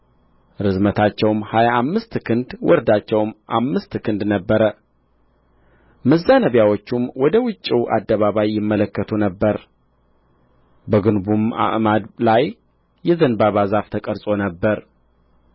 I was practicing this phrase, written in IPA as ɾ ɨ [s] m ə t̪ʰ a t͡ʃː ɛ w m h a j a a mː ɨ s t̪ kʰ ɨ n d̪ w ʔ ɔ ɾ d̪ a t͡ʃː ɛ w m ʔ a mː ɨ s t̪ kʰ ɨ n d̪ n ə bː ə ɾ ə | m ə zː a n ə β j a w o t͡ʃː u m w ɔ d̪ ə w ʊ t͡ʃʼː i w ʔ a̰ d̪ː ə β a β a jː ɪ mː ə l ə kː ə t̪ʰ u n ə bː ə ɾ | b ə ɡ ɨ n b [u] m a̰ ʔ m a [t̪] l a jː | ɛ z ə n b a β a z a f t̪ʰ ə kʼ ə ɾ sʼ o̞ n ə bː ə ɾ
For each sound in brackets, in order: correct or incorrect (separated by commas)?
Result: incorrect, correct, incorrect